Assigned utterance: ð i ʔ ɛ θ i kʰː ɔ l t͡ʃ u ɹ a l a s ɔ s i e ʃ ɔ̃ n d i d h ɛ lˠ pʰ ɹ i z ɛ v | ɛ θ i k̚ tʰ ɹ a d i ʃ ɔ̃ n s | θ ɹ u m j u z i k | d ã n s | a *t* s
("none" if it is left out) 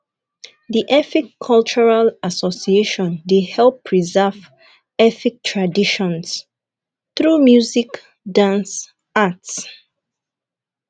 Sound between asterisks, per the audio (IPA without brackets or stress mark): t